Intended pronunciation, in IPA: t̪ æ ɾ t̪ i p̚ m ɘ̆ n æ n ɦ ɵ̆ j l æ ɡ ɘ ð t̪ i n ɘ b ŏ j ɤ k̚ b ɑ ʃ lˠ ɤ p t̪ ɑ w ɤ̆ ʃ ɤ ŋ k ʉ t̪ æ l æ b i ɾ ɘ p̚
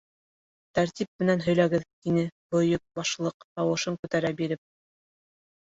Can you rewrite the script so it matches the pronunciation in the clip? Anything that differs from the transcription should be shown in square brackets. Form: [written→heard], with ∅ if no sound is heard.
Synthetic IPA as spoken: t̪ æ ɾ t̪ i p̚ m ɘ̆ n æ n ɦ ɵ̆ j l æ ɡ ɘ ð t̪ i n ɘ b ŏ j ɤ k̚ b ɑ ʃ lˠ ɤ [p→q] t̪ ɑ w ɤ̆ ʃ ɤ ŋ k ʉ t̪ æ [l→ɾ] æ b i ɾ ɘ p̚